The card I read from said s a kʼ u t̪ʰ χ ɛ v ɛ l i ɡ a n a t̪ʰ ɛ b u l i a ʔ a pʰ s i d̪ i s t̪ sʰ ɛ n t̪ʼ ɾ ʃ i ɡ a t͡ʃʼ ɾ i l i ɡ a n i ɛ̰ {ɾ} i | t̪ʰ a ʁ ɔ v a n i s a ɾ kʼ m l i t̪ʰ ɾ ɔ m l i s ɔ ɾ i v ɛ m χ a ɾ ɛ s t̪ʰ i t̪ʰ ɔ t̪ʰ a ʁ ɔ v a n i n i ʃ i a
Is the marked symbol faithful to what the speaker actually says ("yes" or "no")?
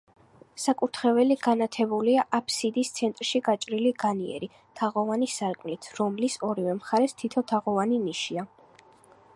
yes